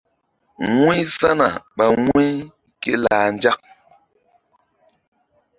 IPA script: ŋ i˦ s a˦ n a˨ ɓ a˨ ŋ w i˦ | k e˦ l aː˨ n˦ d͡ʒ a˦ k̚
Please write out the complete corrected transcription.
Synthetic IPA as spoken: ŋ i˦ s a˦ n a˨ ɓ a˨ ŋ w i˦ | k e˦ l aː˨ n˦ d͡ʒ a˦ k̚